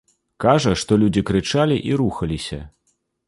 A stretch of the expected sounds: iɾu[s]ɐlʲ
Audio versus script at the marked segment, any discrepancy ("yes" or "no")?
yes